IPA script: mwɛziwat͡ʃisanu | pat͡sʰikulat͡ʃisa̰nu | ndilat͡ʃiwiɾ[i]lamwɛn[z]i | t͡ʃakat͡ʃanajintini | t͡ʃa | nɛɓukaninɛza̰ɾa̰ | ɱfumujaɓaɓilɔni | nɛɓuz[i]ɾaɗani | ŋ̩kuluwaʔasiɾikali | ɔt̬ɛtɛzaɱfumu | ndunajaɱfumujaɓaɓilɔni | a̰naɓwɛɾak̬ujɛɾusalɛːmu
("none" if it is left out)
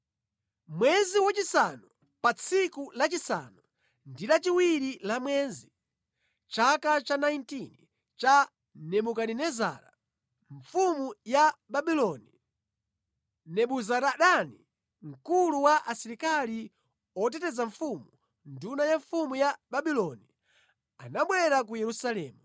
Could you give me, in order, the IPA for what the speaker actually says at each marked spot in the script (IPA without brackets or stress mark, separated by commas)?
i, z, a